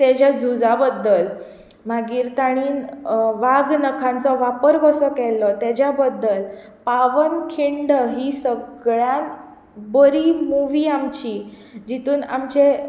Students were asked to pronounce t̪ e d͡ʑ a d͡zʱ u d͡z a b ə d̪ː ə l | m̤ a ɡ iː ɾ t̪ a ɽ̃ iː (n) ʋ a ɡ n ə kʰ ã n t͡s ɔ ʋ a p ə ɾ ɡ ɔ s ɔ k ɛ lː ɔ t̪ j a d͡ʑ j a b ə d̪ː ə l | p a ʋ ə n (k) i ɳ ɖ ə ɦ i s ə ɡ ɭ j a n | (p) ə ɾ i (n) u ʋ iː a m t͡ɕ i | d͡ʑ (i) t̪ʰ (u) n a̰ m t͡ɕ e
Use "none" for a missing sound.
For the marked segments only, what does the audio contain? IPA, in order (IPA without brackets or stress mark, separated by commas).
n, kʰ, b, m, i, uː